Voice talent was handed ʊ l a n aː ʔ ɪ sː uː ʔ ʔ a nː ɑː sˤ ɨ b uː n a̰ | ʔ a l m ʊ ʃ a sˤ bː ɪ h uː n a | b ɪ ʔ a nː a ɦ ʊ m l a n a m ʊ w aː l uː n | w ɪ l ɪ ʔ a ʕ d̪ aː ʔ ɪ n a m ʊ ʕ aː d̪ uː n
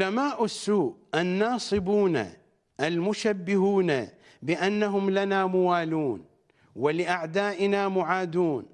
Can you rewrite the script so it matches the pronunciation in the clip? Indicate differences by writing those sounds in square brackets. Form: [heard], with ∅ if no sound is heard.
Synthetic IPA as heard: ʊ l a [m] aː ʔ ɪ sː uː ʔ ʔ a nː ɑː sˤ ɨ b uː n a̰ | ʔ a l m ʊ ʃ a [∅] bː ɪ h uː n a | b ɪ ʔ a nː a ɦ ʊ m l a n a m ʊ w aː l uː n | w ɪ l ɪ ʔ a ʕ d̪ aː ʔ ɪ n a m ʊ ʕ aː d̪ uː n